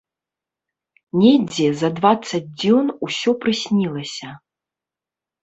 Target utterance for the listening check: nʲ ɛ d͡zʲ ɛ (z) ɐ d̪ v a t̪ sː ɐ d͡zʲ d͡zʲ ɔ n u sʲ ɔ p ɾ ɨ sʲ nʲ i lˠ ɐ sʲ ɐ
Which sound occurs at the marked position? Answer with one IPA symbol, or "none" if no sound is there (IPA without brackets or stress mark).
z